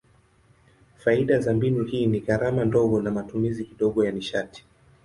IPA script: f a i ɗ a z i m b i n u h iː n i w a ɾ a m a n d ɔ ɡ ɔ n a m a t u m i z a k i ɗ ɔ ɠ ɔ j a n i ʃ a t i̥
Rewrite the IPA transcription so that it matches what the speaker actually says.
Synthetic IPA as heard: f a i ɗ a z a m b i n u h iː n i ɣ a ɾ a m a n d ɔ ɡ ɔ n a m a t u m i z i k i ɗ ɔ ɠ ɔ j a n i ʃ a t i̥